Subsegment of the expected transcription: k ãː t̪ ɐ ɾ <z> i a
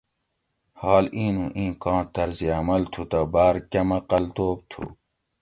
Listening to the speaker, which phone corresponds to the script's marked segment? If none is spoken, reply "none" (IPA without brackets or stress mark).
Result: z